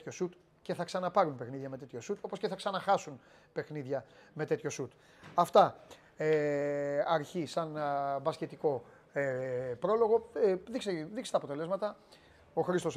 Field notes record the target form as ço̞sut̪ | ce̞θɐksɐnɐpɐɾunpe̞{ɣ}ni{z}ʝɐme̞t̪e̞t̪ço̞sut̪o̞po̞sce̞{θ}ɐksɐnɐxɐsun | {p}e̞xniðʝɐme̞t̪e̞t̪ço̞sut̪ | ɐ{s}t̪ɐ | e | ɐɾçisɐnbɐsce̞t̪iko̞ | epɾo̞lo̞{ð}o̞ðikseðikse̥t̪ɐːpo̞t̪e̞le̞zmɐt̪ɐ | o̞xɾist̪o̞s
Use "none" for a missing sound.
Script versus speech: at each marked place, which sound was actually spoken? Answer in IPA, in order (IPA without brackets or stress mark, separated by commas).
x, ð, θ, p, f, ɣ